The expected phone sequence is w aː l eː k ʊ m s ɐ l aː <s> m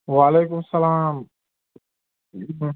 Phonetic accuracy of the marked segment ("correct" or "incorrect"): incorrect